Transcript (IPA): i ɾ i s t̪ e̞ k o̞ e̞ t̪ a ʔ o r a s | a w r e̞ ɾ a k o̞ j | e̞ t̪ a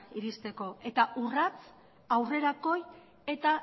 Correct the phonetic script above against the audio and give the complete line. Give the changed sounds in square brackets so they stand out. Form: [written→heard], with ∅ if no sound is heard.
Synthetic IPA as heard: i ɾ i s t̪ e̞ k o̞ e̞ t̪ a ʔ [o→u] r a [s→t͡s] | a w r e̞ ɾ a k o̞ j | e̞ t̪ a

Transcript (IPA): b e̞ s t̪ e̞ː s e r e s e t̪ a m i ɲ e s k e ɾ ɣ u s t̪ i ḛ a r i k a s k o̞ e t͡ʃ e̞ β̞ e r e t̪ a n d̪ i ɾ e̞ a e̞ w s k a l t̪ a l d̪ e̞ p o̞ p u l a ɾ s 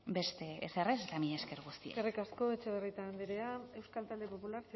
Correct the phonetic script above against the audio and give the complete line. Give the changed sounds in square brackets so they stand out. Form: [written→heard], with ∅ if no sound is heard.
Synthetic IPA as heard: b e̞ s t̪ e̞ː s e r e s e t̪ a m i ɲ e s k e ɾ ɣ u s t̪ i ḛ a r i k a s k o̞ e t͡ʃ e̞ β̞ e r [e→i] t̪ a n d̪ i ɾ e̞ a e̞ w s k a l t̪ a l d̪ e̞ p o̞ p u l a ɾ s

